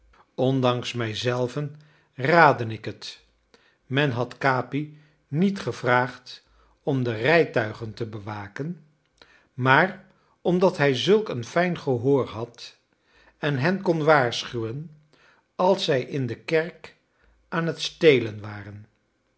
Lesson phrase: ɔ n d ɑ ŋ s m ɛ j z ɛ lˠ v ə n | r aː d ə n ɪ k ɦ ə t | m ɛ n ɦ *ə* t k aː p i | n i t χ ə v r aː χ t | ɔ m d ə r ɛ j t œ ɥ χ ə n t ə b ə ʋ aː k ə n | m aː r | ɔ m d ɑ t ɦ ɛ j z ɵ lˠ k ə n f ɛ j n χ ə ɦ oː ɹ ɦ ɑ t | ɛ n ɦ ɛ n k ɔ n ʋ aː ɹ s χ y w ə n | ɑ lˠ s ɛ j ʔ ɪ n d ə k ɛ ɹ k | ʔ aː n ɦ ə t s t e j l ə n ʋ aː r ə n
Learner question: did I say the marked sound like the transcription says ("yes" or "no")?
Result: no